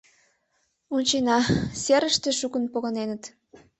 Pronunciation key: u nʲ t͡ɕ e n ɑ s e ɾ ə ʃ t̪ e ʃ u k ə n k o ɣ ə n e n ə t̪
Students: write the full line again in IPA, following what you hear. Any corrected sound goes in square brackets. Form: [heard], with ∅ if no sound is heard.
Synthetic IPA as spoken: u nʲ t͡ɕ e n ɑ s e ɾ ə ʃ t̪ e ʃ u k ə n [p] o ɣ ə n e n ə t̪